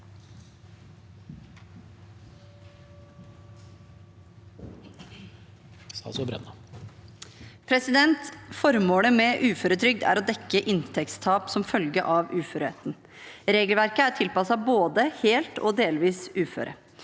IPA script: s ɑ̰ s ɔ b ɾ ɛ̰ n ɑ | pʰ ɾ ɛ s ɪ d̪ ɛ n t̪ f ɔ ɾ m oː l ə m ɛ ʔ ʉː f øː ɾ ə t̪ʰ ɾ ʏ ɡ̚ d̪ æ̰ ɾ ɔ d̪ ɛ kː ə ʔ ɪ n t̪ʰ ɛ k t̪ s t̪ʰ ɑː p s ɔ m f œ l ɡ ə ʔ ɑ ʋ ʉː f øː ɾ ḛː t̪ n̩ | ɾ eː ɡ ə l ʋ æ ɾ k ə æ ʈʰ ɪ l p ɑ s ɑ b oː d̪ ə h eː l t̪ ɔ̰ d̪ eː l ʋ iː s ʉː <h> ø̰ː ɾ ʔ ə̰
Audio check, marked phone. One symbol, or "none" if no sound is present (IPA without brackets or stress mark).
f